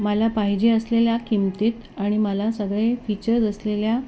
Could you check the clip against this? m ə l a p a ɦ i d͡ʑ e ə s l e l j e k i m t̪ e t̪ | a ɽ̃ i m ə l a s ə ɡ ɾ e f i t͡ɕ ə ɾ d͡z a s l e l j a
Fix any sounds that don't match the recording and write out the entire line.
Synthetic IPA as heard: m ə l a p a ɦ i d͡ʑ e ə s l e l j a k i m t̪ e t̪ | a ɽ̃ i m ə l a s ə ɡ ɭ e f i t͡ɕ ə ɾ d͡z ə s l e l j a